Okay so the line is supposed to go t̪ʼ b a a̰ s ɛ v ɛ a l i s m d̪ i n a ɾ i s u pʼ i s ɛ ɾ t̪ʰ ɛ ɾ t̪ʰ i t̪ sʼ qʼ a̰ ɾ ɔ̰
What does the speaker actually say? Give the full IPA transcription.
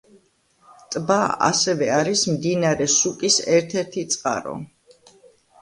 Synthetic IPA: t̪ʼ b a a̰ s ɛ v ɛ a ɾ i s m d̪ i n a ɾ ɛ s u kʼ i s ɛ ɾ t̪ʰ ɛ ɾ t̪ʰ i t̪ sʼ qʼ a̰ ɾ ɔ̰